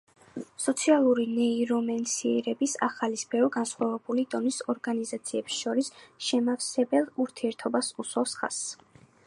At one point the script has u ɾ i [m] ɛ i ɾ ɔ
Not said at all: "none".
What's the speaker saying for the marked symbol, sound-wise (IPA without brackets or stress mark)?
n